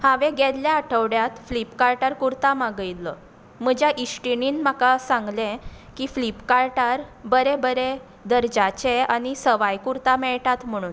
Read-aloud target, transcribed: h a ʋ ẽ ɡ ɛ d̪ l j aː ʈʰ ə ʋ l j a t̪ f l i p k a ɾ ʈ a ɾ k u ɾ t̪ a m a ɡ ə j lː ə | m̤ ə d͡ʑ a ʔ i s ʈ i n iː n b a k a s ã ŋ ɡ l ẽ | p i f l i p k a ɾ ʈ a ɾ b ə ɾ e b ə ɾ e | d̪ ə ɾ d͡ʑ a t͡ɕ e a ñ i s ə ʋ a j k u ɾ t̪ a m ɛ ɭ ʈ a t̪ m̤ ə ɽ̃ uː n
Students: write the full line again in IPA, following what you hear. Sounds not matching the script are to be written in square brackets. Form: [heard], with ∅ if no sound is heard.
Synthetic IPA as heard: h a ʋ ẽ ɡ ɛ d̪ l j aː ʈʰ ə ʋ [ɽ] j a t̪ f l i p k a ɾ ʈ a ɾ k u ɾ t̪ a m a ɡ ə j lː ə | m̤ ə d͡ʑ a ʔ i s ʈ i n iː n [m] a k a s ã ŋ ɡ l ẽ | [k] i f l i p k a ɾ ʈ a ɾ b ə ɾ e b ə ɾ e | d̪ ə ɾ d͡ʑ a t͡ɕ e a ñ i s ə ʋ a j k u ɾ t̪ a m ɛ ɭ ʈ a t̪ m̤ ə ɽ̃ uː n